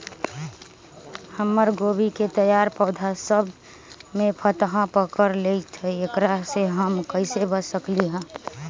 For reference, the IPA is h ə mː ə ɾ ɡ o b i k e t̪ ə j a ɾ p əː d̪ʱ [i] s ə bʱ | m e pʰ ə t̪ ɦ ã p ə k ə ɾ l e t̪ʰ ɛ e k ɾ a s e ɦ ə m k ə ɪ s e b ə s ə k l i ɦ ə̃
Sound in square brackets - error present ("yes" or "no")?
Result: yes